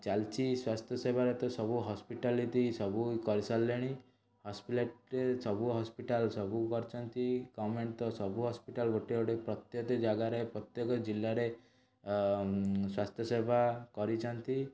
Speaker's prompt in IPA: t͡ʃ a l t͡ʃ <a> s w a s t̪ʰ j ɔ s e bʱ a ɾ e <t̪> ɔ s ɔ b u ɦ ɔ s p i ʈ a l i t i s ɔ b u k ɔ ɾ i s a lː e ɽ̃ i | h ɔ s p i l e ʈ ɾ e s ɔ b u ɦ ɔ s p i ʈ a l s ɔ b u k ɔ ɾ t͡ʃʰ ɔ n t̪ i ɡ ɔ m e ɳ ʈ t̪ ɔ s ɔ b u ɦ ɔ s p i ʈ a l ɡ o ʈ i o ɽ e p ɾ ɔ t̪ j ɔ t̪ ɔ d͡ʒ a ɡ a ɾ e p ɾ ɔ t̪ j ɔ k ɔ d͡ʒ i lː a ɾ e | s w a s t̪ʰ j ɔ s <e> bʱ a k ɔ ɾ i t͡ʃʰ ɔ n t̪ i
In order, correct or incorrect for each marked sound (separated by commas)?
incorrect, correct, correct